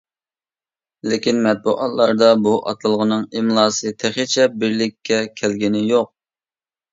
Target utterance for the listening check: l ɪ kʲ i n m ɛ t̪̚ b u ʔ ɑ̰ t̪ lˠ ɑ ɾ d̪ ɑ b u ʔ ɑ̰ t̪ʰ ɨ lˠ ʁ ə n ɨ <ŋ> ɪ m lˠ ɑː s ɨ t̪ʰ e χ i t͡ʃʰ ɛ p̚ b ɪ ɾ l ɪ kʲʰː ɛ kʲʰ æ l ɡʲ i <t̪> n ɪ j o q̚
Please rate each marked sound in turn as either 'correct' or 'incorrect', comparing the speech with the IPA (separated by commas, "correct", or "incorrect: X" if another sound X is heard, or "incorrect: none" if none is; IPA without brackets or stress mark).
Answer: correct, incorrect: none